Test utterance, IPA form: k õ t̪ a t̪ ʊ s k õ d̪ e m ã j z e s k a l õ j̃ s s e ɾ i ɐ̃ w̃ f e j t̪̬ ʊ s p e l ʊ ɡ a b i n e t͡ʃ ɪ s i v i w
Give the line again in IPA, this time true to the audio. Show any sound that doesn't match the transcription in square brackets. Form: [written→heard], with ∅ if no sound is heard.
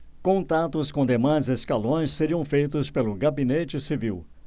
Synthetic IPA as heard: k õ t̪ a t̪ ʊ s k õ d̪ e m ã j z e s k a l õ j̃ s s e ɾ i ɐ̃ w̃ f e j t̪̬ ʊ s p e l ʊ ɡ a b i n e t͡ʃ ɪ s i v i w